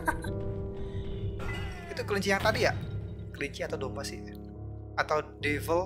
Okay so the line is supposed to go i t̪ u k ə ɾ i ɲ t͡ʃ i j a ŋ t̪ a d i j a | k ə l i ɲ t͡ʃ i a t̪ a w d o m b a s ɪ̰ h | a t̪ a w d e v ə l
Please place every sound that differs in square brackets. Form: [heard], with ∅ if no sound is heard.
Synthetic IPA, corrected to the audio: i t̪ u k ə [l] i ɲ t͡ʃ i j a ŋ t̪ a d i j a | k ə l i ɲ t͡ʃ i a t̪ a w d o m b a s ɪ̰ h | a t̪ a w d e v ə l

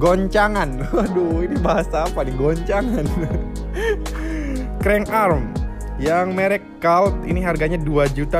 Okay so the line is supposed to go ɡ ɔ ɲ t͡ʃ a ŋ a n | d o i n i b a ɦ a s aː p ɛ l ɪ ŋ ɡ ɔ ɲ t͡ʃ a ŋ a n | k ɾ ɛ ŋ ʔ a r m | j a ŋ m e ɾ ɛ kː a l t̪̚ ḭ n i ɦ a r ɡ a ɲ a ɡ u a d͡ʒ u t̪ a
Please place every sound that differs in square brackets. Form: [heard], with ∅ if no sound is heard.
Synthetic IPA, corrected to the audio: ɡ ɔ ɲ t͡ʃ a ŋ a n | d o i n i b a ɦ a s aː p [a] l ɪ ŋ ɡ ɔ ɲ t͡ʃ a ŋ a n | k ɾ ɛ ŋ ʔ a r m | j a ŋ m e ɾ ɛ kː a l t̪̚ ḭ n i ɦ a r ɡ a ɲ a [d] u a d͡ʒ u t̪ a

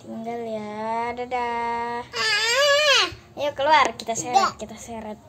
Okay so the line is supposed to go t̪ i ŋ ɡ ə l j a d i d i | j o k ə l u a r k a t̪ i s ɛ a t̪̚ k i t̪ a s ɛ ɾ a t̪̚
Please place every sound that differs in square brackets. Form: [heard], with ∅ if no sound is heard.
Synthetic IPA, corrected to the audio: t̪ i ŋ ɡ [a] l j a d [a] d [a] | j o k ə l u a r k [i] t̪ [a] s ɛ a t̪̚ k i t̪ a s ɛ ɾ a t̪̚

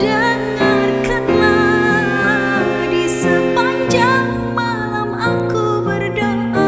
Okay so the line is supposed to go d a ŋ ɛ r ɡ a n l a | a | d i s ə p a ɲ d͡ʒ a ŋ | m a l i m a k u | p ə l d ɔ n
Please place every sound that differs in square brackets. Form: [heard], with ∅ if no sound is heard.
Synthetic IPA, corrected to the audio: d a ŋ [a] r [k] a n l a | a | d i s ə p a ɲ d͡ʒ a ŋ | m a l [a] m a k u | [b] ə [r] d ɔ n

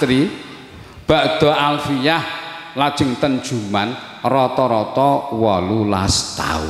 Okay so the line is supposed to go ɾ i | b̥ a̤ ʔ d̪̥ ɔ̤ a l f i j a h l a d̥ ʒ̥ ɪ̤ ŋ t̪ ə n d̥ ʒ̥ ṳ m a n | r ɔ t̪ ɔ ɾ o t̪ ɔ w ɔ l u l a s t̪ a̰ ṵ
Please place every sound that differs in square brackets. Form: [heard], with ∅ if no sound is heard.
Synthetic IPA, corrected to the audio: ɾ i | b̥ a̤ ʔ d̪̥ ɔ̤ a l f i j a h l a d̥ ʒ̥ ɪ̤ ŋ t̪ ə n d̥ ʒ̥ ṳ m a n | r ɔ t̪ ɔ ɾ [ɔ] t̪ ɔ w ɔ l u l a s t̪ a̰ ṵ

